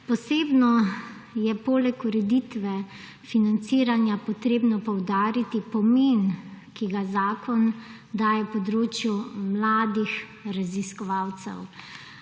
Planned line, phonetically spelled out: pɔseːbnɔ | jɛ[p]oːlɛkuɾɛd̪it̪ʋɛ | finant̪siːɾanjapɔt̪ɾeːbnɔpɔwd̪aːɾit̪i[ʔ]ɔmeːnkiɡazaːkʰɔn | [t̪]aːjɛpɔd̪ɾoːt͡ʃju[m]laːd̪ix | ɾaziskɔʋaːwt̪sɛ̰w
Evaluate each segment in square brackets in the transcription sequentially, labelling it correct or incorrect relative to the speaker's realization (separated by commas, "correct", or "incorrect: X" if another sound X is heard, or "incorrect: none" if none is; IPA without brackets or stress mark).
correct, incorrect: p, incorrect: d̪, correct